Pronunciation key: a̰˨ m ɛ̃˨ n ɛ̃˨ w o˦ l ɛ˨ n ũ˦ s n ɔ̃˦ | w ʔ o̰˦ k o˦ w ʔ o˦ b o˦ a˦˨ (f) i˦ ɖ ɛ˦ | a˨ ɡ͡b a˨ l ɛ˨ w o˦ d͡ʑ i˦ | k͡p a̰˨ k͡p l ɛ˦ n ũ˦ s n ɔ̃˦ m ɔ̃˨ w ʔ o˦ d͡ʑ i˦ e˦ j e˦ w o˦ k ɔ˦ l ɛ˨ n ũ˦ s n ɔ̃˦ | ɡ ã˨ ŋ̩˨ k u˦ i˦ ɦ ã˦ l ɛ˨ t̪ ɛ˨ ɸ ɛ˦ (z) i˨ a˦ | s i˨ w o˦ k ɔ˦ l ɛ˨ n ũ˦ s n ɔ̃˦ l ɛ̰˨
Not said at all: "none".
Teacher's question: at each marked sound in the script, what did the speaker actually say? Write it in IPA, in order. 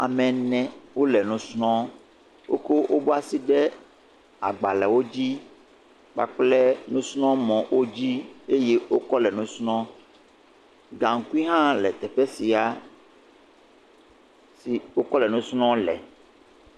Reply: s, s

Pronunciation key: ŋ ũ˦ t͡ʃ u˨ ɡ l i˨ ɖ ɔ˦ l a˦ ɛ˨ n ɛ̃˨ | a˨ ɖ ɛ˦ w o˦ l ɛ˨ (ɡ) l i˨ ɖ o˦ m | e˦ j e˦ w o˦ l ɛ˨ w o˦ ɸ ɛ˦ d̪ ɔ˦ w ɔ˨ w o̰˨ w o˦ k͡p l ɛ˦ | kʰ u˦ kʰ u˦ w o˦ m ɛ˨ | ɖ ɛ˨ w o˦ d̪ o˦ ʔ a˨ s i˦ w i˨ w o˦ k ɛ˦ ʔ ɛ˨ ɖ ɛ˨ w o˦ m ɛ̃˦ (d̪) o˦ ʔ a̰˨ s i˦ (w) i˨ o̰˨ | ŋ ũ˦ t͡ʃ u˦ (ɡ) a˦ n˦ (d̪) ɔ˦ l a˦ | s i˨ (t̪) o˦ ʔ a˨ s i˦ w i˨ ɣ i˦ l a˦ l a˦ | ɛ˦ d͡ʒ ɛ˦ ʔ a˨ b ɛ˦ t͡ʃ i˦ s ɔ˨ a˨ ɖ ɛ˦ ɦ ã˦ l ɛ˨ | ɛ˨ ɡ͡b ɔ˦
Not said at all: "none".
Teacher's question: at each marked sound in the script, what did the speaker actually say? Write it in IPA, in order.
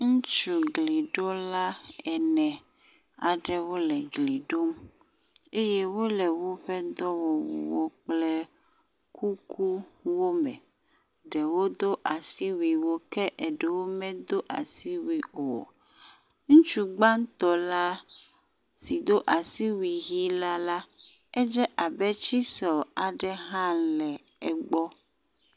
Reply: ɡ, d̪, w, ɡ͡b, t̪, d̪

